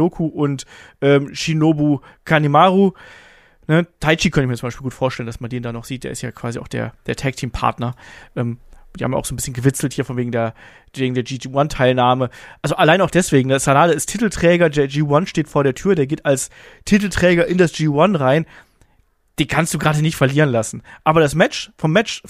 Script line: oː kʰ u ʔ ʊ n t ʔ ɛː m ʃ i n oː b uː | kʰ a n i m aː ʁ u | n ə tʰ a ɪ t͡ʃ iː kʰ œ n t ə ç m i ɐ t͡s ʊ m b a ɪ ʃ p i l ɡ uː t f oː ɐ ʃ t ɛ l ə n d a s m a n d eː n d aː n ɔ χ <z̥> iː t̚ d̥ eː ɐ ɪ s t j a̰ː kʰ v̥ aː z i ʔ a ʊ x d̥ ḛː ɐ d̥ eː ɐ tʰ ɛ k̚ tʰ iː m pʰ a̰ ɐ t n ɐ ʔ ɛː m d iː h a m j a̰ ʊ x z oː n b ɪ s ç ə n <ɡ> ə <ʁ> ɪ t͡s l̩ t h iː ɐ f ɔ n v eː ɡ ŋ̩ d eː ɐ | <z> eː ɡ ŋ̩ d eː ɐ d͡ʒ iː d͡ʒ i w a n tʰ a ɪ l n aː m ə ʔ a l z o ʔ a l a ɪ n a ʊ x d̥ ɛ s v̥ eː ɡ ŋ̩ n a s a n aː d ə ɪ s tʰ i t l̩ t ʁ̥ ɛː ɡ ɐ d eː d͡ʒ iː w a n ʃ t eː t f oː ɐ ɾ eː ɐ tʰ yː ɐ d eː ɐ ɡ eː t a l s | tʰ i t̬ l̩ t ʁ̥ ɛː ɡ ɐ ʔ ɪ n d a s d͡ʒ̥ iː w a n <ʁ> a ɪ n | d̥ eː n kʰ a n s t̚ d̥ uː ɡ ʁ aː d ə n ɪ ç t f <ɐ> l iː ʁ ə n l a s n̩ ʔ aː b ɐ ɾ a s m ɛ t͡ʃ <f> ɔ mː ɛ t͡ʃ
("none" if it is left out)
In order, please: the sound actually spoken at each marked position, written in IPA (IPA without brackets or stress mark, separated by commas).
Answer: z̥, ɡ, v, v, ʁ, ɐ, f